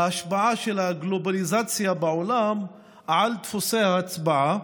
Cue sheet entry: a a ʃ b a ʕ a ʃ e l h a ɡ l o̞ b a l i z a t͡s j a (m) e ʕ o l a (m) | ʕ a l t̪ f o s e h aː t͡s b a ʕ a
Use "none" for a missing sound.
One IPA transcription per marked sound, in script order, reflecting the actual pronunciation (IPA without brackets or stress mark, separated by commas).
b, m